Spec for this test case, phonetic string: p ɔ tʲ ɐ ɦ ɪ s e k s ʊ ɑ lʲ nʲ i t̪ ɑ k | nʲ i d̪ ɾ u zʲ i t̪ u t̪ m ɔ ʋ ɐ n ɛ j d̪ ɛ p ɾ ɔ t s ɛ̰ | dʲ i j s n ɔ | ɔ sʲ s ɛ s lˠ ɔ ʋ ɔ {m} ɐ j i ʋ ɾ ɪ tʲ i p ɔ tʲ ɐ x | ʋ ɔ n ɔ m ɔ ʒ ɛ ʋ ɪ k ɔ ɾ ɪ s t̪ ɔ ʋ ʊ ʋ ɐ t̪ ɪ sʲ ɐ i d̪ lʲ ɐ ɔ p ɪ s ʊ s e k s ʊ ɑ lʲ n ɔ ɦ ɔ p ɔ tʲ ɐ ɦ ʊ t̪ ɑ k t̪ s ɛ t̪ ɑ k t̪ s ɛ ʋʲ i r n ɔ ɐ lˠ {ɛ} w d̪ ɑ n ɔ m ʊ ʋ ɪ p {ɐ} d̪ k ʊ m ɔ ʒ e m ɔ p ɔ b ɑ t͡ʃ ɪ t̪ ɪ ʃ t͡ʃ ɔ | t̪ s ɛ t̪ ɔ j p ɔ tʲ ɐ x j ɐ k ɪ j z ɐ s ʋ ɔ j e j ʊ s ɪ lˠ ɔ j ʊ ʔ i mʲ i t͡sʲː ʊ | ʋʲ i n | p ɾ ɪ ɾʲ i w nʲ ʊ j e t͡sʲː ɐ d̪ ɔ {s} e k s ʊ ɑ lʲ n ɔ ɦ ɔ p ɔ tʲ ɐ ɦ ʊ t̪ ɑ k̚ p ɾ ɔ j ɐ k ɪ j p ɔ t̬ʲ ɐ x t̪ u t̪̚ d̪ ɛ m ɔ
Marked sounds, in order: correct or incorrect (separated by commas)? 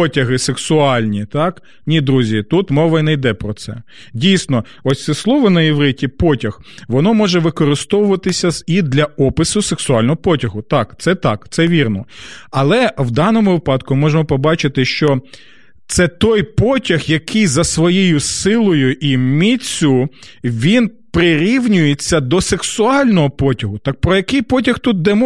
incorrect, correct, incorrect, correct